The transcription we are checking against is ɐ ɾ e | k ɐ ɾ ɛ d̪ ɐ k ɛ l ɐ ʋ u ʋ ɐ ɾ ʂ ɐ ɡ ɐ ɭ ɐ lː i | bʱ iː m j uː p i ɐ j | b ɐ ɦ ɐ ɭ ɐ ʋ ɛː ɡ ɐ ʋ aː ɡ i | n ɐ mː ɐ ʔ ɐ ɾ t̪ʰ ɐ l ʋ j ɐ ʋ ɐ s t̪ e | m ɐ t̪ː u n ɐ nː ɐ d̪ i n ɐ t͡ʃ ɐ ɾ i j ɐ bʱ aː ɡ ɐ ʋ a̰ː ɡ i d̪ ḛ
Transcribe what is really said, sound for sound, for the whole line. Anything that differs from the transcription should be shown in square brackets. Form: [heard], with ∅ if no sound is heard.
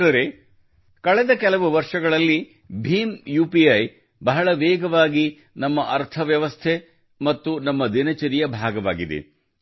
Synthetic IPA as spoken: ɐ ɾ e | k ɐ [ɭ] ɛ d̪ ɐ k ɛ l ɐ ʋ u ʋ ɐ ɾ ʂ ɐ ɡ ɐ ɭ ɐ lː i | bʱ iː m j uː p i ɐ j | b ɐ ɦ ɐ ɭ ɐ ʋ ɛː ɡ ɐ ʋ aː ɡ i | n ɐ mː ɐ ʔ ɐ ɾ t̪ʰ ɐ [∅] ʋ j ɐ ʋ ɐ s [t̪ʰ] e | m ɐ t̪ː u n ɐ [mː] ɐ d̪ i n ɐ t͡ʃ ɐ ɾ i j ɐ bʱ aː ɡ ɐ ʋ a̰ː ɡ i d̪ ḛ